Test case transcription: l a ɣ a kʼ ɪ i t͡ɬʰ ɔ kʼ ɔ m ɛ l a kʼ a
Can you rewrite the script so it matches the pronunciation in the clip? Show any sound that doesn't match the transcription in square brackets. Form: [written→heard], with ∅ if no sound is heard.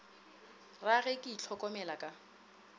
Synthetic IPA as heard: [l→r] a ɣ [a→ɛ] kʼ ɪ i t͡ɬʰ ɔ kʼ ɔ m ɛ l a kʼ a